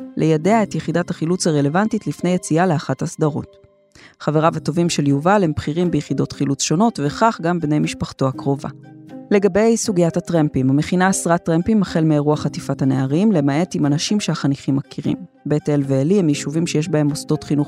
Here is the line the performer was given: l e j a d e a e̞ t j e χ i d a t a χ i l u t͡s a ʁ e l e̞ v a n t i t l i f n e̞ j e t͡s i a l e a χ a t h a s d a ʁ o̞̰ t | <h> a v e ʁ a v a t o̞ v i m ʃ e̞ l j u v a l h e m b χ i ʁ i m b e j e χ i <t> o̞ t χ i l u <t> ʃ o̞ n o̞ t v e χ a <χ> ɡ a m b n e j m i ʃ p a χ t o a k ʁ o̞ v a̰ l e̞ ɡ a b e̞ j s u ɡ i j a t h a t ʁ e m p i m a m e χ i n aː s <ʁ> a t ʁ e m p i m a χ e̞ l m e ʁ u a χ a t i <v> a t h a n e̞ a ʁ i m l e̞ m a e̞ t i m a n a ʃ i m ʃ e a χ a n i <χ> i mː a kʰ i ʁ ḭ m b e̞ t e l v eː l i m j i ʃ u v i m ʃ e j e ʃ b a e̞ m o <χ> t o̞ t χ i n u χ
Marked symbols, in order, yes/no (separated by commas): no, no, no, yes, yes, no, yes, no